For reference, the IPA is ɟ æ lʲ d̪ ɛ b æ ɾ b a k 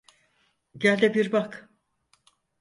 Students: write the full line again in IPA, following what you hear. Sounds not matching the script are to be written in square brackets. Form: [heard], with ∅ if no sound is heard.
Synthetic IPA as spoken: ɟ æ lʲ d̪ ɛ b [i] ɾ b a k